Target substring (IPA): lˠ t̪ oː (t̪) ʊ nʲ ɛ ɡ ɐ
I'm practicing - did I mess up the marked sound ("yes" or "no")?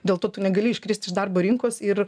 no